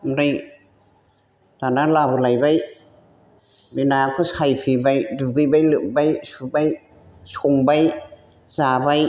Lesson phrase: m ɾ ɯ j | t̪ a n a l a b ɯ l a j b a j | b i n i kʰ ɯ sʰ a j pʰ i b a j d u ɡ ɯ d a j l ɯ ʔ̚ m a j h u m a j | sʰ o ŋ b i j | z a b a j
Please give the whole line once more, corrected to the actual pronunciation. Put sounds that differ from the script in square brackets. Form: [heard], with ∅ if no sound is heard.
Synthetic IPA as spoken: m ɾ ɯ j | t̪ a n a l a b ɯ l a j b a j | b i n [a] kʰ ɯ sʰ a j pʰ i b a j d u ɡ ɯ [b] a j l ɯ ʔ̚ [b] a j [s] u [b] a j | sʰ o ŋ b [a] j | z a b a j